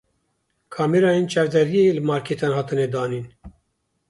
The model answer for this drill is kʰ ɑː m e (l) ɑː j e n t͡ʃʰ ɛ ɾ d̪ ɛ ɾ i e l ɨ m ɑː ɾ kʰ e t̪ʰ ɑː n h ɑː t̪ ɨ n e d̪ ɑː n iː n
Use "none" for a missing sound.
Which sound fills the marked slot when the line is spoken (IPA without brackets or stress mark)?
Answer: ɾ